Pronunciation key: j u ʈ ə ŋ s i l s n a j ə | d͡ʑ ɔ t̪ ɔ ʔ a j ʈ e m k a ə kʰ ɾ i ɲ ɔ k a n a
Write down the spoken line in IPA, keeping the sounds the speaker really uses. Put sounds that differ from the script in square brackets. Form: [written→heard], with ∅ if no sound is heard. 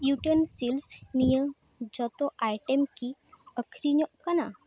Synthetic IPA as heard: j u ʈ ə [ŋ→n] s i l s n [a→i] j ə | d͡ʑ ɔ t̪ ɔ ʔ a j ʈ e m k [a→i] ə kʰ ɾ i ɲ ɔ k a n a